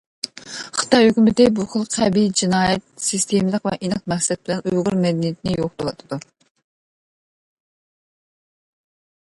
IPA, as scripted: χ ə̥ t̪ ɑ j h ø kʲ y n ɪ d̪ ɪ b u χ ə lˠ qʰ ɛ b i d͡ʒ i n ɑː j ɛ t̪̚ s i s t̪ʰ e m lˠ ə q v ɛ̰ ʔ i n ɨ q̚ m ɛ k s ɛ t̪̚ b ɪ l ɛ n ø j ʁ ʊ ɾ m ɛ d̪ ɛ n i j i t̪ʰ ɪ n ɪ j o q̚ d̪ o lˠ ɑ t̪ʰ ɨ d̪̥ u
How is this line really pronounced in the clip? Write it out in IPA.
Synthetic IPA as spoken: χ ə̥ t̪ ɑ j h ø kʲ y m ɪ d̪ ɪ b u χ ə lˠ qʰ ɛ b i d͡ʒ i n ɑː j ɛ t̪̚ s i s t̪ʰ e m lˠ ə q v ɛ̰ ʔ i n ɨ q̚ m ɛ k s ɛ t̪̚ b ɪ l ɛ n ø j ʁ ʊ ɾ m ɛ d̪ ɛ n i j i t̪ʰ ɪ n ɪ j o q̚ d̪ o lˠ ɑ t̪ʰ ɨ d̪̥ u